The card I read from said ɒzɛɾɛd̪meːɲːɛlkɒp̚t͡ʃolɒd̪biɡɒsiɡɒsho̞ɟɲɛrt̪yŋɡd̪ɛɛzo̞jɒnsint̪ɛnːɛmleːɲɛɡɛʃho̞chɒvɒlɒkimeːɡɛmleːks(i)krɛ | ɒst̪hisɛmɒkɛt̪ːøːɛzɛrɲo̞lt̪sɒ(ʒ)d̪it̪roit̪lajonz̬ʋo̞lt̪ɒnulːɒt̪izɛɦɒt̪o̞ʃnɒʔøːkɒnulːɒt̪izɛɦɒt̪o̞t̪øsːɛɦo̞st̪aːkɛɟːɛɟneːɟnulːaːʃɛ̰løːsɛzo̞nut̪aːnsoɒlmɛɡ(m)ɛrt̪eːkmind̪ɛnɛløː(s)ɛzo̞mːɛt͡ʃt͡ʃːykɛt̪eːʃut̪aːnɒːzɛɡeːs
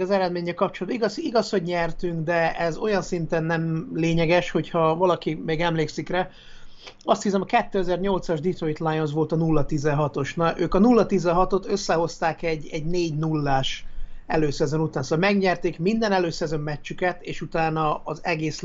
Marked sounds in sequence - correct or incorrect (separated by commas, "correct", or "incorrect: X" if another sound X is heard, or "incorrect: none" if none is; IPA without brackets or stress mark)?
correct, correct, incorrect: ɲ, correct